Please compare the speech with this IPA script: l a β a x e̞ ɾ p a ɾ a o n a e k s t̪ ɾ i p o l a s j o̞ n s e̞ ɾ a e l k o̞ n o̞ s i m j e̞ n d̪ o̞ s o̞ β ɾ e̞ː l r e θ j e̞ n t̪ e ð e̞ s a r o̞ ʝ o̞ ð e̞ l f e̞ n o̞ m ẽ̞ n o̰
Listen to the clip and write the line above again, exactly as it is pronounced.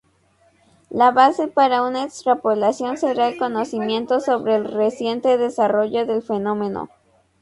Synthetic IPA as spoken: l a β a s e̞ p a ɾ a u n a e k s t̪ ɾ a p o l a s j o̞ n s e̞ ɾ a e l k o̞ n o̞ s i m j e̞ n t̪ o̞ s o̞ β ɾ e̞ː l r e s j e̞ n t̪ e ð e̞ s a r o̞ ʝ o̞ ð e̞ l f e̞ n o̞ m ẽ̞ n o̰